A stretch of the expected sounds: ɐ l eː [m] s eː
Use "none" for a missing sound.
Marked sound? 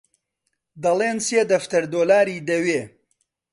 n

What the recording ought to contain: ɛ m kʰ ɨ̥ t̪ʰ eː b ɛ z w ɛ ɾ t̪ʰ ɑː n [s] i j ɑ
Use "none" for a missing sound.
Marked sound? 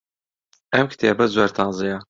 z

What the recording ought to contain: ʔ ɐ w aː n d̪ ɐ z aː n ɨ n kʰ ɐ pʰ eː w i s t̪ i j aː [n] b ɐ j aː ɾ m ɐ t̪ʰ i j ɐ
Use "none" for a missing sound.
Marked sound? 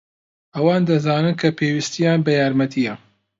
n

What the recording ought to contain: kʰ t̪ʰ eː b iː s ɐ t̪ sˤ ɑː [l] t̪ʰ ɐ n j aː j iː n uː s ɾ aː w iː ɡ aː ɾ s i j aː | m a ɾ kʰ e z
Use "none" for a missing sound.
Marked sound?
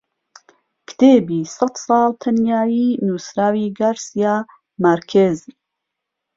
l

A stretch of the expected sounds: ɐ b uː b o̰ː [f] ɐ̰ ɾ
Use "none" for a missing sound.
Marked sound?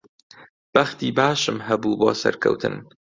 s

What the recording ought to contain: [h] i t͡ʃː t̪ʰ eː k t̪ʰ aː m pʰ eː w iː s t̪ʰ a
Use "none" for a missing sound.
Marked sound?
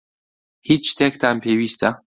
h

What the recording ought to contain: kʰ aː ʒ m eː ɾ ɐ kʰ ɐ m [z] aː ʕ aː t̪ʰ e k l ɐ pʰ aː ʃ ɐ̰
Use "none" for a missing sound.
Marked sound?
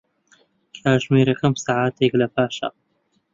s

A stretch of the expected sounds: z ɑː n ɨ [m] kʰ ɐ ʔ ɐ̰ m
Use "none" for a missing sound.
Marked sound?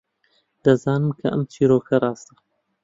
m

